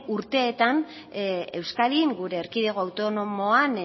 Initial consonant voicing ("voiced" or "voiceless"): voiced